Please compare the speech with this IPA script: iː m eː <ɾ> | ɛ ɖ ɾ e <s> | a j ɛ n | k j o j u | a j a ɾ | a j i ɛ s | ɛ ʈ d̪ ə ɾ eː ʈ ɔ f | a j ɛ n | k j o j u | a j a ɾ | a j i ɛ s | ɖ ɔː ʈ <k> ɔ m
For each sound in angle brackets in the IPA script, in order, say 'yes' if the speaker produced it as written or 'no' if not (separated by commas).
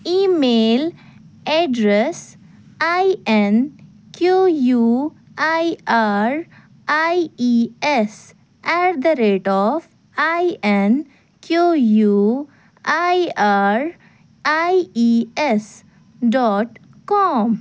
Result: no, yes, yes